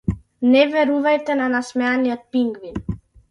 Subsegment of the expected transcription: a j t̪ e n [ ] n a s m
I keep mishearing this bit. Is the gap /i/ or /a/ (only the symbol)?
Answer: a